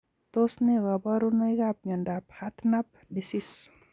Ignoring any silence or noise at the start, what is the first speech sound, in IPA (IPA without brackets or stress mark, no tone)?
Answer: t̪